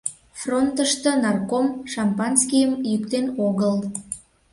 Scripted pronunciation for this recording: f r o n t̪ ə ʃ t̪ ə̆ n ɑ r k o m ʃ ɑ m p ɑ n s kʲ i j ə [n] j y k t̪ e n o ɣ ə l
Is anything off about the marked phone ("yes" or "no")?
yes